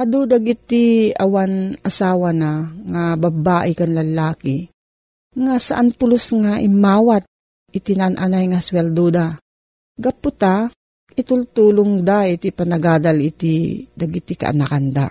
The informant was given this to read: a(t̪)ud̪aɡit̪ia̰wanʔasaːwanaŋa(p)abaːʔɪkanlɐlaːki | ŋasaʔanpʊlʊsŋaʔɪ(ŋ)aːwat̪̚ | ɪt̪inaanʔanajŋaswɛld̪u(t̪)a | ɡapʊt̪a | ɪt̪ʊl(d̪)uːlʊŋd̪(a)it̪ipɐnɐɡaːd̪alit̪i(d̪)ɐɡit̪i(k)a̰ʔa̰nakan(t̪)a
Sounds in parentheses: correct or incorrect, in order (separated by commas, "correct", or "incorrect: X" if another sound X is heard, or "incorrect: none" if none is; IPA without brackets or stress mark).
incorrect: d̪, incorrect: b, incorrect: m, incorrect: d̪, incorrect: t̪, correct, correct, correct, incorrect: d̪